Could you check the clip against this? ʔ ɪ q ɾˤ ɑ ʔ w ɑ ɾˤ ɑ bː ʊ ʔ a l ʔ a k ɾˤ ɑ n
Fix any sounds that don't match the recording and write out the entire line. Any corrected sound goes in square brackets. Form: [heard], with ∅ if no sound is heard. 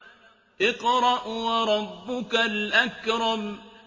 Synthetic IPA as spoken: ʔ ɪ q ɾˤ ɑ ʔ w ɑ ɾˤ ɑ bː ʊ [k] a l ʔ a k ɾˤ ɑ [m]

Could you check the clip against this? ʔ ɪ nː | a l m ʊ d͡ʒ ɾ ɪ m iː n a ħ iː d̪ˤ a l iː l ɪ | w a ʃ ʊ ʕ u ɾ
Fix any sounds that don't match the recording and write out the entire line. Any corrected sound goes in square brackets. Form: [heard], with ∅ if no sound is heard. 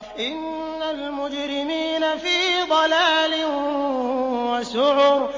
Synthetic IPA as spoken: ʔ ɪ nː | a l m ʊ d͡ʒ ɾ ɪ m iː n a [f] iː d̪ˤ [ɑ] l [aː] l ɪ | w a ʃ ʊ ʕ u ɾ

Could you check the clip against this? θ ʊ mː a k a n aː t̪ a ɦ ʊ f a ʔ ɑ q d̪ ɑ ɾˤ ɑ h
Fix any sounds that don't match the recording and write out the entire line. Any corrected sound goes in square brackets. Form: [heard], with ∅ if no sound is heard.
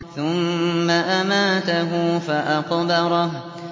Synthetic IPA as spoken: θ ʊ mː a [ʔ] a [m] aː t̪ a ɦ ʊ f a ʔ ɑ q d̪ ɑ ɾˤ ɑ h

